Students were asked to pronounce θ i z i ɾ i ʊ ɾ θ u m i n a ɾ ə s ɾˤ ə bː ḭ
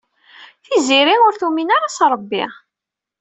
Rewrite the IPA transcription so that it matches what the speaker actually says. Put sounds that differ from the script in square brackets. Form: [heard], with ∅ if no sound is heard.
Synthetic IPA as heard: θ i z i ɾ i ʊ ɾ θ u m i n a ɾ [a] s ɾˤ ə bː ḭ